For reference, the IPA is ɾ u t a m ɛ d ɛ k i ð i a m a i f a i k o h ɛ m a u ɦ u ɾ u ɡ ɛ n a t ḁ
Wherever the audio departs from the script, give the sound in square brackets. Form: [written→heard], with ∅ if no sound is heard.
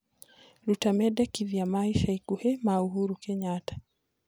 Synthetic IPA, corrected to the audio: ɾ u t a m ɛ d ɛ k i ð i a m a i [f→ʃ] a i k [o→u] h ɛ m a u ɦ u ɾ u [ɡ→k] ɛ [n→ɲ] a t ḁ